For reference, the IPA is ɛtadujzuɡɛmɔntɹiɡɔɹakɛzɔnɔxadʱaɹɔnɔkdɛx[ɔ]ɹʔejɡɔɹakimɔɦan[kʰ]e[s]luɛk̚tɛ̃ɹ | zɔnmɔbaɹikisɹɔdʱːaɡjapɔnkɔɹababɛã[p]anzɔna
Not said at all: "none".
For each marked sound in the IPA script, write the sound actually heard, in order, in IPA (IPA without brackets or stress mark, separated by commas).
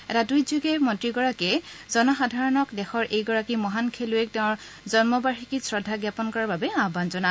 ɔ, kʰ, none, b